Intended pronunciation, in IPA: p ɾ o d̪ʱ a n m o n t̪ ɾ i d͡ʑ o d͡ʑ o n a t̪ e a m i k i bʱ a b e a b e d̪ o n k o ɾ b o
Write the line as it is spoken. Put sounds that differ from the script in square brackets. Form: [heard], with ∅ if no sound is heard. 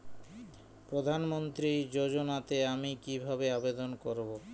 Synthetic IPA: p ɾ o d̪ʱ a n m o n t̪ ɾ i d͡ʑ o d͡ʑ o n a t̪ e a m i k i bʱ a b e a b e d̪ o n k o ɾ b o